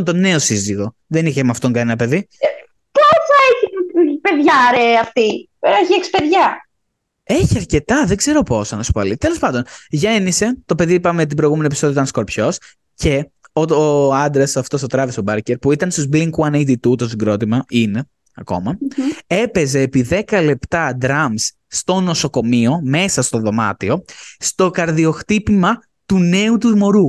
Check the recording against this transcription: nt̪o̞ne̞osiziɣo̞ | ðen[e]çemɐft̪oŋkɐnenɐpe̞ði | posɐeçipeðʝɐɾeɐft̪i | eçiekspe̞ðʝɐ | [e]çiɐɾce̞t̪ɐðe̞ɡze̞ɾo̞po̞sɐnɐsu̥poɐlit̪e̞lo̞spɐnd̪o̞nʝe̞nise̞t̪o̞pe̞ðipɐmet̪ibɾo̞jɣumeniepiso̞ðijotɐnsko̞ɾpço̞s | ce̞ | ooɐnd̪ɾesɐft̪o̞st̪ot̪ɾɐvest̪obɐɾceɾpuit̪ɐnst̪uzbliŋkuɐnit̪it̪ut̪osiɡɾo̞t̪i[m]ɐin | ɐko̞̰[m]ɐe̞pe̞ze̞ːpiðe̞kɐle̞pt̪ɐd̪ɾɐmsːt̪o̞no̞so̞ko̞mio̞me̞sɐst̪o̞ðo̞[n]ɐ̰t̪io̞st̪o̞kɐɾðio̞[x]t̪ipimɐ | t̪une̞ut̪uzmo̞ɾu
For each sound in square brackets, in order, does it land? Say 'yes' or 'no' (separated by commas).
no, yes, yes, yes, no, yes